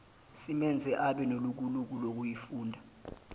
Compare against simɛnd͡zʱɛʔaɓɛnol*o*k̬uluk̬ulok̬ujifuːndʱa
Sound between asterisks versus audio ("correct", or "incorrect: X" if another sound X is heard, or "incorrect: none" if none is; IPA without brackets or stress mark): incorrect: u